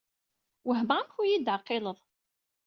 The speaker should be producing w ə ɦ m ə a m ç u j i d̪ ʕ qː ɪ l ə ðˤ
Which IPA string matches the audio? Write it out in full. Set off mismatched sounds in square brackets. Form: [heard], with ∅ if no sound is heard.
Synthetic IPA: w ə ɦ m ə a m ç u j i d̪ ʕ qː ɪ l ə ðˤ